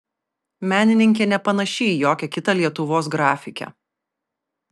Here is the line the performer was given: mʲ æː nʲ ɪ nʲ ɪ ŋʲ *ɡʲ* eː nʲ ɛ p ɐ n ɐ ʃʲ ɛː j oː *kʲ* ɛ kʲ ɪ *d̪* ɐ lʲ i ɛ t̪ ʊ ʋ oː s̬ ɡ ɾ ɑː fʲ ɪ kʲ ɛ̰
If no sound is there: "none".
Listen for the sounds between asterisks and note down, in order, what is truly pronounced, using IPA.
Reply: kʲ, kʲ, t̪

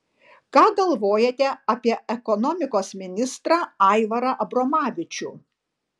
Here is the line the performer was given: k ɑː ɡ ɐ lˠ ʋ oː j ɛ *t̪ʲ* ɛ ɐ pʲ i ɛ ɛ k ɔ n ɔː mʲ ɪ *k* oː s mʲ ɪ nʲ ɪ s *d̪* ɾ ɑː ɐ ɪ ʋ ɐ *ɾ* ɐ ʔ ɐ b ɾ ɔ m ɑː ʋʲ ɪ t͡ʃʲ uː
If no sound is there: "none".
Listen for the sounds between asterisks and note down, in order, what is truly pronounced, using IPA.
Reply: t̪ʲ, k, t̪, ɾ

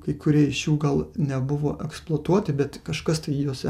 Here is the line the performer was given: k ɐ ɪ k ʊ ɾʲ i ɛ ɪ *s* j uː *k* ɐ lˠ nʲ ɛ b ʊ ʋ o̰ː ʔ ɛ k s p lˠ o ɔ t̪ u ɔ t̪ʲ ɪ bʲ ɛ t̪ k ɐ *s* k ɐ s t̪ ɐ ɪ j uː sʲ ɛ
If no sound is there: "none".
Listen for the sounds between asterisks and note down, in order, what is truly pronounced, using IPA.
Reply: ʃ, ɡ, ʃ

